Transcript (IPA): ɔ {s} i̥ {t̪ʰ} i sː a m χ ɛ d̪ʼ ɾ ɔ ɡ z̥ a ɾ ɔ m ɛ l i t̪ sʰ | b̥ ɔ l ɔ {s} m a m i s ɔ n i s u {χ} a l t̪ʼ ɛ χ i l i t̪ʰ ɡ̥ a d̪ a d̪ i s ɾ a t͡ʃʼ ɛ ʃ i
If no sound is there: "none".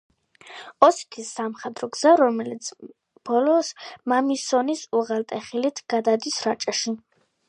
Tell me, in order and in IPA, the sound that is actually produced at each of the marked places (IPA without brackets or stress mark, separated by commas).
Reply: s, t̪ʰ, s, ʁ